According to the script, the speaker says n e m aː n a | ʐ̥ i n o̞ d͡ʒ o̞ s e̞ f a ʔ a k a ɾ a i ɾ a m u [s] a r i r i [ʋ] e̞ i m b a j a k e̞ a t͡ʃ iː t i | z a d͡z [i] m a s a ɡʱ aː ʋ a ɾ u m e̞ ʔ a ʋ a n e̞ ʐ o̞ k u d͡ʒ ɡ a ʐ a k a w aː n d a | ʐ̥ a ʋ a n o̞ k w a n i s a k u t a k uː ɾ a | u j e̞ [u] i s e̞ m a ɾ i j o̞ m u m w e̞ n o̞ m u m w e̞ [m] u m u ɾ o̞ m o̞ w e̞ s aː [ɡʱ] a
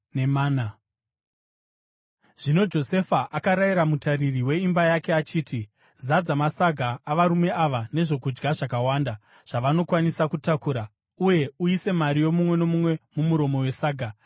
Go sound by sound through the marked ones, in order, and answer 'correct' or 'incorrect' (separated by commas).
incorrect, incorrect, incorrect, correct, correct, correct